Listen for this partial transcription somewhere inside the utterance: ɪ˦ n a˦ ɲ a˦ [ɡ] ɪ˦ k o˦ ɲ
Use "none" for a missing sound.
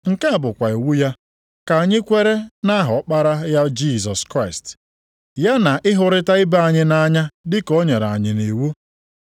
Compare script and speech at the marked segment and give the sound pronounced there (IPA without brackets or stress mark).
d